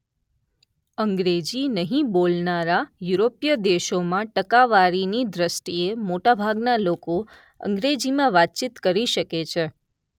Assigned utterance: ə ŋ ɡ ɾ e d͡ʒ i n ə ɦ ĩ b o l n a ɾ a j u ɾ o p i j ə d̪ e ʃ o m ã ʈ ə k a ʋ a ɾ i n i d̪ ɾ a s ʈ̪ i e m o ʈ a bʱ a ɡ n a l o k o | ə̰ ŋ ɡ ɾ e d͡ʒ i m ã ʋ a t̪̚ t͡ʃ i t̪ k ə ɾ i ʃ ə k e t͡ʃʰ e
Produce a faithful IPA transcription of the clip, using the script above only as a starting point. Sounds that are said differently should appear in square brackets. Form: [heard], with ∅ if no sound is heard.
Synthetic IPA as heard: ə ŋ ɡ ɾ e d͡ʒ i n ə ɦ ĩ b o l n a ɾ a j u ɾ o p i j ə d̪ e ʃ o m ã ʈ ə k a ʋ a ɾ i n i d̪ ɾ [ə] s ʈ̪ i e m o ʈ a bʱ a ɡ n a l o k o | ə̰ ŋ ɡ ɾ e d͡ʒ i m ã ʋ a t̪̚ t͡ʃ i t̪ k ə ɾ i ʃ ə k e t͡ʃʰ e